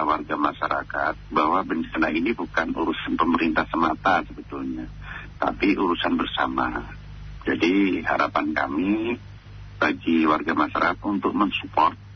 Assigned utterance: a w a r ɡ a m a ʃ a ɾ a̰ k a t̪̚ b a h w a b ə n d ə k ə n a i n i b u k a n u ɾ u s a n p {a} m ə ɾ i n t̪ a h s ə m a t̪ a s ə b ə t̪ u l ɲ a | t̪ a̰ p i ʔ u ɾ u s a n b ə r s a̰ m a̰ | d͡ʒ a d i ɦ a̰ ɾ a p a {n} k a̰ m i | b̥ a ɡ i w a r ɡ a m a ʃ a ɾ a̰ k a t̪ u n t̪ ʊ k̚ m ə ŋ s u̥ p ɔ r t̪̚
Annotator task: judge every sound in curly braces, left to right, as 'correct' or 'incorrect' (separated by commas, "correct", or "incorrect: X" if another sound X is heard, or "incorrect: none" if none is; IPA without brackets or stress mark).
incorrect: ə, correct